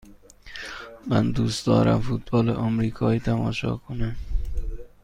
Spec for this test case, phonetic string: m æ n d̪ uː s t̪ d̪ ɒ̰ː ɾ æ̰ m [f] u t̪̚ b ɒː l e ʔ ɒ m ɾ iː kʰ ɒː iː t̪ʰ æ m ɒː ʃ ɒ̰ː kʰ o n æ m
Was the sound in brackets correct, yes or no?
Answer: yes